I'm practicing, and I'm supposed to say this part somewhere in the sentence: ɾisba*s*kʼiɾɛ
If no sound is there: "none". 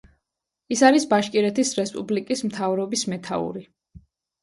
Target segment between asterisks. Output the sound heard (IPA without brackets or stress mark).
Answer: ʃ